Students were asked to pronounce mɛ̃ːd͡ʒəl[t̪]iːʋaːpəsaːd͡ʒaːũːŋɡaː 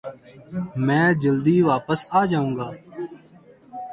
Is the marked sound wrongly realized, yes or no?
yes